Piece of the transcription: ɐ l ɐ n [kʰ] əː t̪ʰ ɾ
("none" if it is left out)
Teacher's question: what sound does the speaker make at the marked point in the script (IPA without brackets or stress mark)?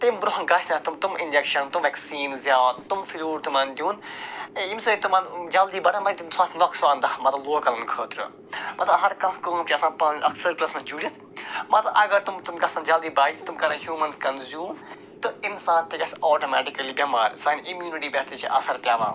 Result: kʰ